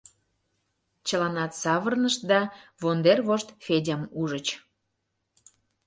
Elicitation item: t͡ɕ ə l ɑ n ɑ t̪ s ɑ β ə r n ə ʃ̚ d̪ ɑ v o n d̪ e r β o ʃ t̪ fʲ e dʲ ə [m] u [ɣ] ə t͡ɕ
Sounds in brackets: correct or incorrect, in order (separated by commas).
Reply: correct, incorrect